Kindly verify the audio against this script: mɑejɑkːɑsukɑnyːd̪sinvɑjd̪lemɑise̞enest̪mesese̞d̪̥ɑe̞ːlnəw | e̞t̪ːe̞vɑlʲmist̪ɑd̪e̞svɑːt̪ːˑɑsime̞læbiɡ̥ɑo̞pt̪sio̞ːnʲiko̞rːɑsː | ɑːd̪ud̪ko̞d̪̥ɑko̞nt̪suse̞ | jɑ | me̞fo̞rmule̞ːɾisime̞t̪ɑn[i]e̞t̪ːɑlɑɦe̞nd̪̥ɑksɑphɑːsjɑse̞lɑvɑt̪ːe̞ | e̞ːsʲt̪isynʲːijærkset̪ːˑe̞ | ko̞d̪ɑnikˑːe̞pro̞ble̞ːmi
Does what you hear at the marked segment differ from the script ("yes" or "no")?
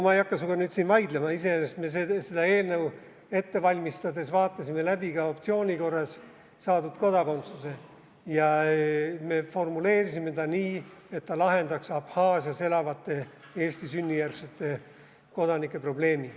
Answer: yes